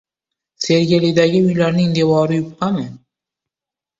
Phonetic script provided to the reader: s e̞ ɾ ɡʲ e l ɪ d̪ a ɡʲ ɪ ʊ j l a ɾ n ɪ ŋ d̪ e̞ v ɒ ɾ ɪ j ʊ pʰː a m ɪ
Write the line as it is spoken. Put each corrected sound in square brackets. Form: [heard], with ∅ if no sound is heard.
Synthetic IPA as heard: s e̞ ɾ ɡʲ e l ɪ d̪ a ɡʲ ɪ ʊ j l a ɾ n ɪ ŋ d̪ e̞ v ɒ ɾ ɪ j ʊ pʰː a m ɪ